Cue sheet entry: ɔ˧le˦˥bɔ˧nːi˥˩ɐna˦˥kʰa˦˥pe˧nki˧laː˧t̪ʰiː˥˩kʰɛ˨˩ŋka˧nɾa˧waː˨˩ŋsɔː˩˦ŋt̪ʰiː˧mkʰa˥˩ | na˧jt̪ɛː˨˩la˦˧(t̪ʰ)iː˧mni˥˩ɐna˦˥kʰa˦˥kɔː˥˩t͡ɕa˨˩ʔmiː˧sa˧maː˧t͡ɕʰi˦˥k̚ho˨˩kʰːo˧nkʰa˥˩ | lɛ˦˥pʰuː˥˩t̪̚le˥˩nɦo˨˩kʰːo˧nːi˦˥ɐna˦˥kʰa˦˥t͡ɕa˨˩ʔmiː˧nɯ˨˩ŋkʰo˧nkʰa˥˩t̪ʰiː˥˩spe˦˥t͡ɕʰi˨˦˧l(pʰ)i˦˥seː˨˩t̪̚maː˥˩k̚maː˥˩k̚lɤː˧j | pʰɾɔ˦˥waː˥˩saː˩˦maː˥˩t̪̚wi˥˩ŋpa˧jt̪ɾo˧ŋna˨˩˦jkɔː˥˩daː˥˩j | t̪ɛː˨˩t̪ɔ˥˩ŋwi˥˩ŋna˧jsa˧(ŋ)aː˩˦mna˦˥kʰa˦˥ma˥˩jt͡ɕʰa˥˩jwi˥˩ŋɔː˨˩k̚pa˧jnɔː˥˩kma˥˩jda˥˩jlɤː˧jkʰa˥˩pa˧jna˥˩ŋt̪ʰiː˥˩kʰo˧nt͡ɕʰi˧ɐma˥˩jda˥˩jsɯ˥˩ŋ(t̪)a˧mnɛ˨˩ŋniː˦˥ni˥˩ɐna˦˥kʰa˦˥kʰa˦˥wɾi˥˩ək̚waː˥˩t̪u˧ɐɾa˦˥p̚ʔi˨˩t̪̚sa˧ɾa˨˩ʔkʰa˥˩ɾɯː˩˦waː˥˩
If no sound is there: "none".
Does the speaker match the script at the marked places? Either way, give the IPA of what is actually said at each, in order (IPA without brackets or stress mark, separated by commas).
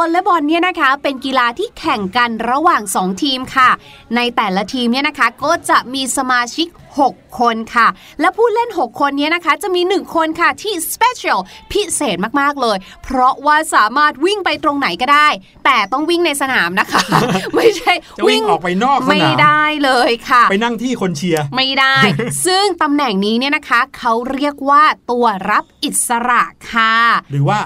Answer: t̪ʰ, pʰ, n, t̪